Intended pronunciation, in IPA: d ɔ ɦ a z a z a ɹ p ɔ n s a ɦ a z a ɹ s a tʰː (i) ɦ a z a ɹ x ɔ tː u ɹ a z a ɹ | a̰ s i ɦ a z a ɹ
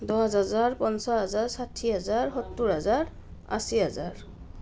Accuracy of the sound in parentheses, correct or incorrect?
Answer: correct